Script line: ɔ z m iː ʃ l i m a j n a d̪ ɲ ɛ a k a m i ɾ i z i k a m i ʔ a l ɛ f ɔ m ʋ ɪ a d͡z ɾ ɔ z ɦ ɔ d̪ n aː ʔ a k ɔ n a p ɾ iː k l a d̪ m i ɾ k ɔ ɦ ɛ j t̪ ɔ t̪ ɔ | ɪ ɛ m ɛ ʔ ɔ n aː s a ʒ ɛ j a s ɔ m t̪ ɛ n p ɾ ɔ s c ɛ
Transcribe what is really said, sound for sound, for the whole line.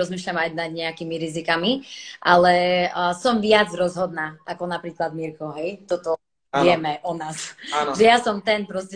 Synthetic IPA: ɔ z m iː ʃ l a m a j n a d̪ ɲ ɛ a k i m i ɾ i z i k a m i ʔ a l ɛ s ɔ m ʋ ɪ a d͡z ɾ ɔ z ɦ ɔ d̪ n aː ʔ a k ɔ n a p ɾ iː k l a d̪ m i ɾ k ɔ ɦ ɛ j t̪ ɔ t̪ ɔ | ɪ ɛ m ɛ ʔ ɔ n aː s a ʒ ɛ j a s ɔ m t̪ ɛ n p ɾ ɔ s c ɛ